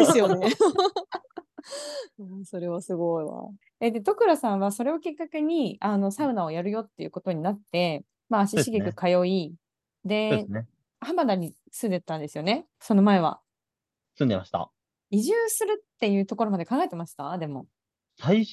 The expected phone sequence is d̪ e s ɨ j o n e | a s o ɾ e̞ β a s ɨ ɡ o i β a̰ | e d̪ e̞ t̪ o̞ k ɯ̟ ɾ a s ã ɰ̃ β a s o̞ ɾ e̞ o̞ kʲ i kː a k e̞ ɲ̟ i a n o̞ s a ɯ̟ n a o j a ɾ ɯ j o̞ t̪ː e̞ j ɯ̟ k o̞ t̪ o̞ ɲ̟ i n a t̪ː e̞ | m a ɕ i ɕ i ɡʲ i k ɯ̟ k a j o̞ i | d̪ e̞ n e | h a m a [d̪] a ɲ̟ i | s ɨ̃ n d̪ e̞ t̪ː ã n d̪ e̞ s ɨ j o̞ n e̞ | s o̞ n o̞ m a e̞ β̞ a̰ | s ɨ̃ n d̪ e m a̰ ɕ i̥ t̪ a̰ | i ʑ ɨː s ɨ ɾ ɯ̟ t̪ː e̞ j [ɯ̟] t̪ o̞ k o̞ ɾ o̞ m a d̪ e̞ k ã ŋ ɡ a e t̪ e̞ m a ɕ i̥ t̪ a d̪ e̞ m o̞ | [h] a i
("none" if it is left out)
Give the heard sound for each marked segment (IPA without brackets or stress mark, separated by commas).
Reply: d̪, ɯ̟ː, s